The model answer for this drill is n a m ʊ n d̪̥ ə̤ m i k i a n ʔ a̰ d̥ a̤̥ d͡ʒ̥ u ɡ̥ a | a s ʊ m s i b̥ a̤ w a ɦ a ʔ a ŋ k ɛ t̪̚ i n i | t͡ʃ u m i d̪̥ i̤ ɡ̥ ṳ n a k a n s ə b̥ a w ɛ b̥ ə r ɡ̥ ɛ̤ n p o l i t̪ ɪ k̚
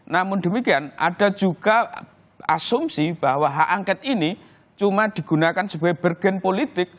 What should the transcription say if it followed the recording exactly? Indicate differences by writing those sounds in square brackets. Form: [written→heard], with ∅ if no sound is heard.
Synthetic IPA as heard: n a m ʊ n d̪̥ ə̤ m i k i a n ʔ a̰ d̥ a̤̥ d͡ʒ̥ u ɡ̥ a | a s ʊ m s i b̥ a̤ w a ɦ a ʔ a ŋ k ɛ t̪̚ i n i | t͡ʃ u m [i→a] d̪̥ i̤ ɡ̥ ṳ n a k a n s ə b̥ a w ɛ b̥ ə r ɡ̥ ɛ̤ n p o l i t̪ ɪ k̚